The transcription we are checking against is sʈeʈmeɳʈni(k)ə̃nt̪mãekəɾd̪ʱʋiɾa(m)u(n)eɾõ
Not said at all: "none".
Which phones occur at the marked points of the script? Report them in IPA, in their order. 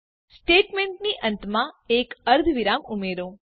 ʔ, m, m

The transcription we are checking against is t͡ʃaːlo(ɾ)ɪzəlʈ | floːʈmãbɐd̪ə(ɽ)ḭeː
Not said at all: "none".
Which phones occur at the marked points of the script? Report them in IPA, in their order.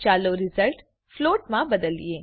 ɾ, l

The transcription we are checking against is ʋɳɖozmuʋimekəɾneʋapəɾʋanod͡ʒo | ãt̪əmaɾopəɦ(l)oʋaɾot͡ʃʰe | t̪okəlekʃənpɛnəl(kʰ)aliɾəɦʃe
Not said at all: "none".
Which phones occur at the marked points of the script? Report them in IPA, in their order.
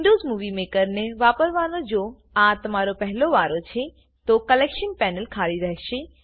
l, kʰ

